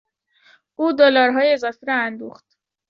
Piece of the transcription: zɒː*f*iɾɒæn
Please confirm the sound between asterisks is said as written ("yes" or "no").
yes